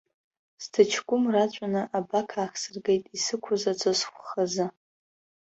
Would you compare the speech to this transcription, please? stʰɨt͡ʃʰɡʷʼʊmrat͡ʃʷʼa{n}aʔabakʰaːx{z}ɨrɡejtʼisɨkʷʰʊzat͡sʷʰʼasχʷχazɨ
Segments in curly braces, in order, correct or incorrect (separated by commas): correct, incorrect